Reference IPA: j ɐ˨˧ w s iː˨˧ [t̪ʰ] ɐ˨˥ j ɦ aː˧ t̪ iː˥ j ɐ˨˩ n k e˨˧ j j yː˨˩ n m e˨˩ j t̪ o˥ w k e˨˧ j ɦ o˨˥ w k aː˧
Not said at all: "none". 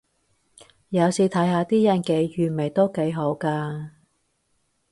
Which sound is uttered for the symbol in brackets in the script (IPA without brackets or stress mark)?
t̪ʰ